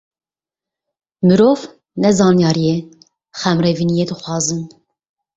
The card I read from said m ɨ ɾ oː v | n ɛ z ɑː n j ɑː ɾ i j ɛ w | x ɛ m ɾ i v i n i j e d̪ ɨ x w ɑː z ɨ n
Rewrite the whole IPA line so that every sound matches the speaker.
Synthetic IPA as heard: m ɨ ɾ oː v | n ɛ z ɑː n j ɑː ɾ i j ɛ | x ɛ m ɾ ɛ v i n i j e d̪ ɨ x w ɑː z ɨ n